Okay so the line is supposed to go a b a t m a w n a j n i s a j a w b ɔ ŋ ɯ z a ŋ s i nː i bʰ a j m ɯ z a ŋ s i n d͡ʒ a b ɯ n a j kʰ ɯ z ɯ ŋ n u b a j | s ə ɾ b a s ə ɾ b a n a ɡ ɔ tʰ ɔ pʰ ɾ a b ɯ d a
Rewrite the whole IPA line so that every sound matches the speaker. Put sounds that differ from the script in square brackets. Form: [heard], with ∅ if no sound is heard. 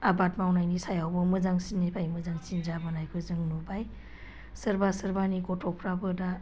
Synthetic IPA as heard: a b a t m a w n a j n i s a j a w b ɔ [m] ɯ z a ŋ s i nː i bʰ a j m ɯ z a ŋ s i n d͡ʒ a b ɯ n a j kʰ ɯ z ɯ ŋ n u b a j | s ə ɾ b a s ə ɾ b a n [i] ɡ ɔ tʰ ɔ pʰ ɾ a b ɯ d a